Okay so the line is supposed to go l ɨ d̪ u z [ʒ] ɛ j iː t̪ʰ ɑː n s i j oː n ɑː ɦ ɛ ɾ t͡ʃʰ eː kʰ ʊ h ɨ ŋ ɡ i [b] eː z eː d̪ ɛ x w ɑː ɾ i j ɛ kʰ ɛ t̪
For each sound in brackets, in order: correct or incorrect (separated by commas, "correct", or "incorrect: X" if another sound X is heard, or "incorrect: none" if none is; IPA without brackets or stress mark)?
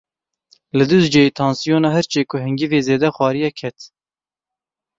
incorrect: d͡ʒ, incorrect: v